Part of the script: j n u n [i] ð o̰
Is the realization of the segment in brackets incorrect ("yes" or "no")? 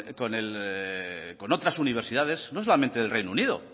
no